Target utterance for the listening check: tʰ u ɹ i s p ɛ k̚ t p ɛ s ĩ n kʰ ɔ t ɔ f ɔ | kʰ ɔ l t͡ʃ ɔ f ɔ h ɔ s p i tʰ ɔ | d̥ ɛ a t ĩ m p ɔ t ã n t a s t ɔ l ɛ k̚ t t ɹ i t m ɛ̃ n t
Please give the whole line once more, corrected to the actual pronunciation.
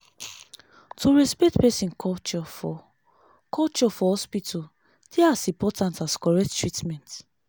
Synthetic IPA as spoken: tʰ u ɹ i s p ɛ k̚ t p ɛ s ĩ n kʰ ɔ t͡ʃ ɔ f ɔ | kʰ ɔ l t͡ʃ ɔ f ɔ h ɔ s p i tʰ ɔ | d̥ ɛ a s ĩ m p ɔ t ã n t a s k ɔ ɹ ɛ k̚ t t ɹ i t m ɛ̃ n t